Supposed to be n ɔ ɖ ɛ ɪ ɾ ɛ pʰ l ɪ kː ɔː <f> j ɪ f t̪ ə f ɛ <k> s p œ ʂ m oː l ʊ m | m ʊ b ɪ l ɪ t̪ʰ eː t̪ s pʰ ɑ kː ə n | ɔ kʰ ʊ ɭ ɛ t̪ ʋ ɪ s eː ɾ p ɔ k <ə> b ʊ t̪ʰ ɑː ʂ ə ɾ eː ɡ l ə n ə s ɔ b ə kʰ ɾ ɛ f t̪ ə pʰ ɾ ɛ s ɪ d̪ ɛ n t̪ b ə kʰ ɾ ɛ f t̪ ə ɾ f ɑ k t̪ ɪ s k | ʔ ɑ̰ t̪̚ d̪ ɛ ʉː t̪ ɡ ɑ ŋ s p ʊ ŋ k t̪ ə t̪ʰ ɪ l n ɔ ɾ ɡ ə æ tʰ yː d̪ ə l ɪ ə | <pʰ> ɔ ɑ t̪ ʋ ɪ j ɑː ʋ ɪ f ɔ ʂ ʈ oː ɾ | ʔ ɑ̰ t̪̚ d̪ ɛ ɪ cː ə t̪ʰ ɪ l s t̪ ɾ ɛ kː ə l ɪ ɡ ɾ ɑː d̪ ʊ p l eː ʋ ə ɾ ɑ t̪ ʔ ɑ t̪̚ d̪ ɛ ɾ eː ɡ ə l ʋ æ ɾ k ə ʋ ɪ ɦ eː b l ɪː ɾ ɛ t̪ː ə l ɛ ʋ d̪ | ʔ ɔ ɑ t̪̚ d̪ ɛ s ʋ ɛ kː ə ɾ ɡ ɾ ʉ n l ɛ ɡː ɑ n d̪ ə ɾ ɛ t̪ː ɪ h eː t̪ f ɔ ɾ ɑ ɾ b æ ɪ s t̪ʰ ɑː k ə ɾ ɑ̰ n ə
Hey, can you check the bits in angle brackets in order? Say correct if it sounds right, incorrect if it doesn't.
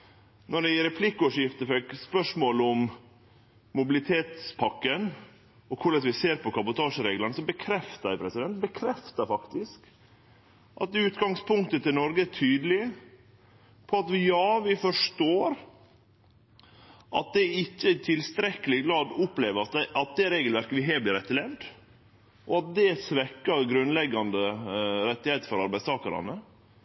incorrect: ʂ, correct, incorrect: ɑ, correct

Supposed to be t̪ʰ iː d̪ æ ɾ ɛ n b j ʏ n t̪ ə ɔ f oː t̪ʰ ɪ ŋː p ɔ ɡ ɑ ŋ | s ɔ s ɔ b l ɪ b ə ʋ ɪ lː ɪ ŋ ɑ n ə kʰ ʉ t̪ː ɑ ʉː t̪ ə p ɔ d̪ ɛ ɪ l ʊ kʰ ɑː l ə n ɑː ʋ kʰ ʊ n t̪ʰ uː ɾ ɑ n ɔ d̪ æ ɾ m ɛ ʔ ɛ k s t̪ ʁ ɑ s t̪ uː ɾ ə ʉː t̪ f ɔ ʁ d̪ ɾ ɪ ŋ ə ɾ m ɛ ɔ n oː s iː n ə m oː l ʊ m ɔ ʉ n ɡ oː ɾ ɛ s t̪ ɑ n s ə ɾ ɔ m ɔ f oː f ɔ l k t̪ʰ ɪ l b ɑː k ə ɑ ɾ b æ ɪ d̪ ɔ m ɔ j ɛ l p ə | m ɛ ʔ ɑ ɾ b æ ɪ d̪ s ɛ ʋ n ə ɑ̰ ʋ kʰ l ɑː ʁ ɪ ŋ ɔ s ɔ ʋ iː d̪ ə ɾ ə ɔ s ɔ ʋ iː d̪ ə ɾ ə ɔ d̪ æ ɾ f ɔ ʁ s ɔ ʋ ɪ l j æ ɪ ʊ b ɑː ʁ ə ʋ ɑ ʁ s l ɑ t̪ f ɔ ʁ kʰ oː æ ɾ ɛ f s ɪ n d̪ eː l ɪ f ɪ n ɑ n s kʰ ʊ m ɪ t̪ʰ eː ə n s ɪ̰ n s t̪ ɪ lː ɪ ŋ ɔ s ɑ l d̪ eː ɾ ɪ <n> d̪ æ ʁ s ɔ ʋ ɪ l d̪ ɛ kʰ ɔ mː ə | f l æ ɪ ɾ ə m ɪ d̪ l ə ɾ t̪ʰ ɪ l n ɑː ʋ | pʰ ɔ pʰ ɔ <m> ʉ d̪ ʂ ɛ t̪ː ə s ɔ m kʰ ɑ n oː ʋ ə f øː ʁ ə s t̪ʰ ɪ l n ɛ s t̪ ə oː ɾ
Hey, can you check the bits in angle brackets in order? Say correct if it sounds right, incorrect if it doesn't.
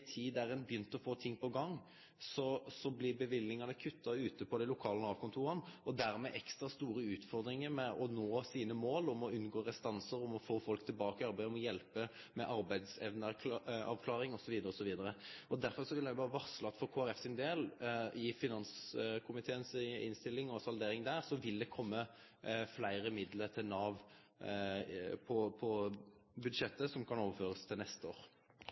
incorrect: ŋ, incorrect: b

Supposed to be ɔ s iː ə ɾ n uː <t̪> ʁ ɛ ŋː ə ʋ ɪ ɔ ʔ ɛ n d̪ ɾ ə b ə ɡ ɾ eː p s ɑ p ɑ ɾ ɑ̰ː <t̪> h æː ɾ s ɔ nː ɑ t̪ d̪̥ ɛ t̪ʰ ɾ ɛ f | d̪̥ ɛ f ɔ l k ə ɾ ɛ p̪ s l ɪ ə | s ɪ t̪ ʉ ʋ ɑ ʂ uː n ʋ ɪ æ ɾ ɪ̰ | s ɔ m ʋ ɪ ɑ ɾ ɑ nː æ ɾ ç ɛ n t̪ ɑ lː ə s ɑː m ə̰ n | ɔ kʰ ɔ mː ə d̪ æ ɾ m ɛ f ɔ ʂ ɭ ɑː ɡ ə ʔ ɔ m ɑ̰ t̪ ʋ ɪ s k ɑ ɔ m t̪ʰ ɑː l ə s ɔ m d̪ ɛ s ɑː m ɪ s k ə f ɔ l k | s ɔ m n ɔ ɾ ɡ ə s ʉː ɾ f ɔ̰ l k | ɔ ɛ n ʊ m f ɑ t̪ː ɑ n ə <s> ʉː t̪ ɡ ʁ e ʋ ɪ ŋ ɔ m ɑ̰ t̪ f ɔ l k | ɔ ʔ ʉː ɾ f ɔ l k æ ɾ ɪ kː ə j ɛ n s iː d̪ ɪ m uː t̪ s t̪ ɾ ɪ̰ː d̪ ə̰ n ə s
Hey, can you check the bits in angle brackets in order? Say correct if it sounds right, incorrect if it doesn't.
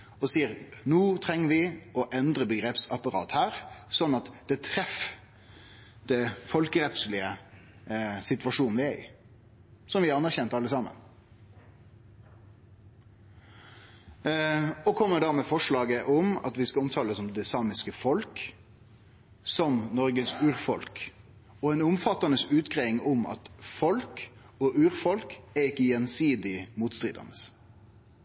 incorrect: t̪ʰ, correct, correct

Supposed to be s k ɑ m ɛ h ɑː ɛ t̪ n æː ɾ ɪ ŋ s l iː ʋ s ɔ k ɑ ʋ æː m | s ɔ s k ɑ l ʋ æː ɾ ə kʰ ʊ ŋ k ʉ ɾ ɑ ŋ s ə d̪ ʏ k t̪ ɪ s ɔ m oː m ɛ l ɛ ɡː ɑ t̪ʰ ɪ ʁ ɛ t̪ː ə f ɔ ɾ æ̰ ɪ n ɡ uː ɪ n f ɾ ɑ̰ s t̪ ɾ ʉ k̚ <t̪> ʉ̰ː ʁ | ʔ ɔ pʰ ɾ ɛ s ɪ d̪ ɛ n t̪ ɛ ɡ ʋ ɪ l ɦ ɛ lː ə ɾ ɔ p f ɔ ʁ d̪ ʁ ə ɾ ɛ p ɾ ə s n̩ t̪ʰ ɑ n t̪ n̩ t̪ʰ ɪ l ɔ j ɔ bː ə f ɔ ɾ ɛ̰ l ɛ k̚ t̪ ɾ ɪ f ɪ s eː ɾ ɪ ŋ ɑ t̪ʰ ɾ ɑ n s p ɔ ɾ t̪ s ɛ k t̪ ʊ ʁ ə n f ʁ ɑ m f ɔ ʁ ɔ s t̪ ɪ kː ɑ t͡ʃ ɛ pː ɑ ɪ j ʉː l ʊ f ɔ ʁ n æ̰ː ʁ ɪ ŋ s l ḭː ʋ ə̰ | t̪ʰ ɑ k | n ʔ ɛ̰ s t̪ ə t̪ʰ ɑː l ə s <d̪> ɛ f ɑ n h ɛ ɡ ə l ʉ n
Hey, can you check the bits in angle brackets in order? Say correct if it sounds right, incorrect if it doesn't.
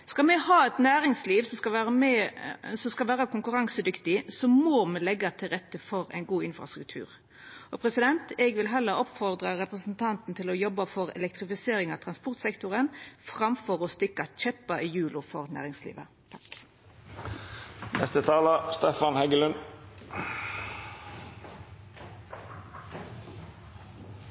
incorrect: t̪ʰ, incorrect: t̪

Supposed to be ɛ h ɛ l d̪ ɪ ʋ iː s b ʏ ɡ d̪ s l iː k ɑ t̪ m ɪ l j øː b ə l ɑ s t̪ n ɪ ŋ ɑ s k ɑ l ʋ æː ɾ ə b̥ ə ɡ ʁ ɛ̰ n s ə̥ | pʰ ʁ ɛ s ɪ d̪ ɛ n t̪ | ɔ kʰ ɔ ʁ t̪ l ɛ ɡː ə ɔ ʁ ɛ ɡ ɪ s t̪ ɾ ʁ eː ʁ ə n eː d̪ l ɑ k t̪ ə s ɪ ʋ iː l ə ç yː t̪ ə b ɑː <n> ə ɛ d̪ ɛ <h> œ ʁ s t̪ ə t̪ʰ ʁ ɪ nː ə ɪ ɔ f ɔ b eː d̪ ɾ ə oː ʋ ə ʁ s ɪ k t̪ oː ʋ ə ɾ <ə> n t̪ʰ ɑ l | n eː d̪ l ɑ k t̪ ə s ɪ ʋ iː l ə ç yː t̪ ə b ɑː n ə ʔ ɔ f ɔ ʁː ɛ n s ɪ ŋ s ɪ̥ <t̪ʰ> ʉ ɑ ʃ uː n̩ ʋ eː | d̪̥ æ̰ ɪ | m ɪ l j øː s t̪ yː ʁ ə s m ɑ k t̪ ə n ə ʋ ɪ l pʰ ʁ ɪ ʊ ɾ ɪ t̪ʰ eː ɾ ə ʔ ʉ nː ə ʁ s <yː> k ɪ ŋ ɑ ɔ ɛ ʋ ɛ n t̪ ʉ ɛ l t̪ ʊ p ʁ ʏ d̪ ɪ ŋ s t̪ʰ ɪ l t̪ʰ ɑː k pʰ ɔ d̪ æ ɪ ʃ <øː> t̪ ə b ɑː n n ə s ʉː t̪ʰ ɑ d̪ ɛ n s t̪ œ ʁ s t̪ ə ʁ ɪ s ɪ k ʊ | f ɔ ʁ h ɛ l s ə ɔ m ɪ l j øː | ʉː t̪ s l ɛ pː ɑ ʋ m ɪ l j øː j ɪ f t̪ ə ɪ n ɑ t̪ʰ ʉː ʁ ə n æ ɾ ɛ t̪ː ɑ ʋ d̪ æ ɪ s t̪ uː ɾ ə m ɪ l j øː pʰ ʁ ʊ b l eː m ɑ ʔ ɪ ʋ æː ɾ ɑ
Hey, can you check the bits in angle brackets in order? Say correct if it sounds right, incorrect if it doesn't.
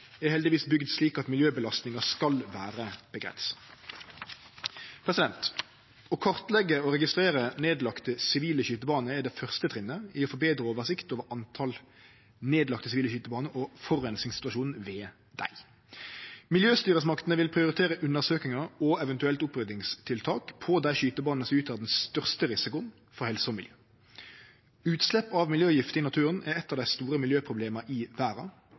correct, incorrect: f, incorrect: ɑ, incorrect: t̪, incorrect: øː, incorrect: yː

